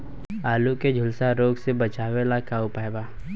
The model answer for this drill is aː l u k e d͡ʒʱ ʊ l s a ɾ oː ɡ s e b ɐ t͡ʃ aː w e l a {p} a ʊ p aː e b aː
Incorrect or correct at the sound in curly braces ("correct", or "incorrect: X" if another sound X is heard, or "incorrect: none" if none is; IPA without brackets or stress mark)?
incorrect: k